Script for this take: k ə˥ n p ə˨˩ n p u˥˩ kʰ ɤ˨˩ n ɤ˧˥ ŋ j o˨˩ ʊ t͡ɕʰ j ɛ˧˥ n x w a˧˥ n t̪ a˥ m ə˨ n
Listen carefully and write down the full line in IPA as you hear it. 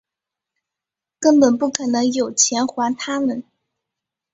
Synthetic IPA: k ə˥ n p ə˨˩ n p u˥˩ kʰ ɤ˨˩ n ɤ˧˥ ŋ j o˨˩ ʊ t͡ɕʰ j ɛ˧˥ n x w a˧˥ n t̪ʰ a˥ m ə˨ n